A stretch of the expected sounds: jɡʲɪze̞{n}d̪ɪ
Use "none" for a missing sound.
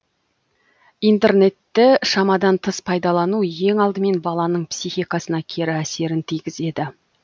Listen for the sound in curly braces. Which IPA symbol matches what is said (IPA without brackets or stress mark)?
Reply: none